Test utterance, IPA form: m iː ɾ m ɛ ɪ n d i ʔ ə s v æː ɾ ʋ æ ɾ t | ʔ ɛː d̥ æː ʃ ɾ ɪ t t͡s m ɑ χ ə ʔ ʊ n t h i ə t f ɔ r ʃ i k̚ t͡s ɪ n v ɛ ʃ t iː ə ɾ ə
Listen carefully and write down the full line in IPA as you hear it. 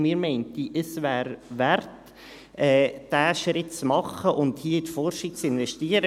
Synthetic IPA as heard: m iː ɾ m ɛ ɪ n t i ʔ ə s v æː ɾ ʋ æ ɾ t | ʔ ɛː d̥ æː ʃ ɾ ɪ t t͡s m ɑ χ ə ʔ ʊ n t h i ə t f ɔ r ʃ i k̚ t͡s ɪ n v ɛ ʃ t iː ə ɾ ə